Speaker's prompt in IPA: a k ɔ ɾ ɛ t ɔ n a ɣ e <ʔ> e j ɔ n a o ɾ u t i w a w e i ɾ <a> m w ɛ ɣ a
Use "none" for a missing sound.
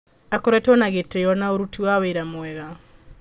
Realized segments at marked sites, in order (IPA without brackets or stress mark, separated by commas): t, a